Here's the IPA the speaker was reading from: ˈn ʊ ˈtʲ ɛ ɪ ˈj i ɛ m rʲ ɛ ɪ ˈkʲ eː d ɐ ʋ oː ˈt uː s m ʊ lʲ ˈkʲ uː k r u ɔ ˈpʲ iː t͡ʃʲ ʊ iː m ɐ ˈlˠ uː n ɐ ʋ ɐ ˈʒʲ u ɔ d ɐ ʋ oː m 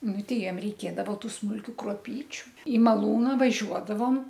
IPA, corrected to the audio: ˈn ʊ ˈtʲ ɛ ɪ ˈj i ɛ m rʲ ɛ ɪ ˈkʲ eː d ɐ ʋ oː ˈt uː s m ʊ lʲ ˈkʲ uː k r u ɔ ˈpʲ iː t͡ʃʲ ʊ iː m ɐ ˈlˠ uː n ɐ ʋ ɐ ˈʒʲ u ɔ d ɐ ʋ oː m